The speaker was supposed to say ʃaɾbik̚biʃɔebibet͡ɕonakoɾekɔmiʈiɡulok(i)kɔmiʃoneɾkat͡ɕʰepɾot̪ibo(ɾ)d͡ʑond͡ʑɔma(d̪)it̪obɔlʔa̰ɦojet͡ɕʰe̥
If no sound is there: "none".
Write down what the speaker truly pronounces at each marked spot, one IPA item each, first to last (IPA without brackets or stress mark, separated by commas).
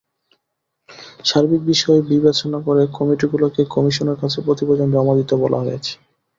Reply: e, none, d̪